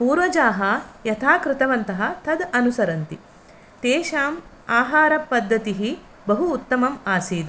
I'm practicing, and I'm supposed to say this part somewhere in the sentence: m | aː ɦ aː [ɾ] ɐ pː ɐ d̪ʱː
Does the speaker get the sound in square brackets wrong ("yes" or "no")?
no